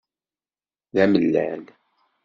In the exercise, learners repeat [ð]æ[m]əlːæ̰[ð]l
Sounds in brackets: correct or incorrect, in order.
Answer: correct, correct, incorrect

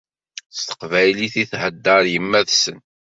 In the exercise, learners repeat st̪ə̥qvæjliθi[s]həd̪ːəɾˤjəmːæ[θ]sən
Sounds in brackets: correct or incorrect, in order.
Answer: incorrect, incorrect

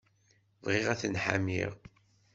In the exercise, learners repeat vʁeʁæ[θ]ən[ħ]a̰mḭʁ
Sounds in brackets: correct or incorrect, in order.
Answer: correct, correct

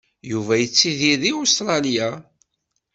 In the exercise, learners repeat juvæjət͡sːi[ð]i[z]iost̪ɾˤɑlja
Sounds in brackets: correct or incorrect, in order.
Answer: correct, incorrect

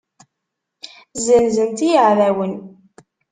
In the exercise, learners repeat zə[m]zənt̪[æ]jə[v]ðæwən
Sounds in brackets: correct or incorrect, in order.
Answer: incorrect, incorrect, incorrect

